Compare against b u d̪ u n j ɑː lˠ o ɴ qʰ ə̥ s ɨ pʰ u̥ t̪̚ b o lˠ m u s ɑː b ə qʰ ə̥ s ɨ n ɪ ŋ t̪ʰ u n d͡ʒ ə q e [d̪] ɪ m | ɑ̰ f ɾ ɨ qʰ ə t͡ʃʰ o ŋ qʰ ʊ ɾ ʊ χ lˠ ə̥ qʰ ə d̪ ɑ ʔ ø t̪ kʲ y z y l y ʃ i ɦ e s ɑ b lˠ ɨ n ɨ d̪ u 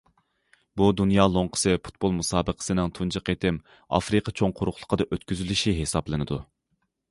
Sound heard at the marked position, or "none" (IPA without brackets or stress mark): t̪